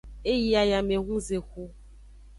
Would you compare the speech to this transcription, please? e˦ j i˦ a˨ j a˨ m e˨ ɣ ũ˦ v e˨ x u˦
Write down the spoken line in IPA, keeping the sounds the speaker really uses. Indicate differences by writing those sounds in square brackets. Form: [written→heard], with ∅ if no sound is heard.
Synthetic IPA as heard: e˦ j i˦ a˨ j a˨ m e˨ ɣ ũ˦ [v→z] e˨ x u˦